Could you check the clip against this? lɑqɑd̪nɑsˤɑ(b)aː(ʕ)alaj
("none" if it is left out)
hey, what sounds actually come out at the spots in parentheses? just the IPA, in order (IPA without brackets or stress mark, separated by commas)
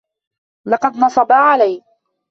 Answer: b, ʕ